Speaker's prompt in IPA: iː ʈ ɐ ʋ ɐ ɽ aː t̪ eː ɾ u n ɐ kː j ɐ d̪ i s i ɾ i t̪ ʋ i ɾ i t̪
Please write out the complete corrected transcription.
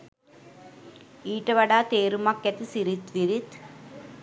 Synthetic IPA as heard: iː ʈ ɐ ʋ ɐ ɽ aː t̪ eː ɾ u m ɐ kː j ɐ t̪ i s i ɾ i t̪ ʋ i ɾ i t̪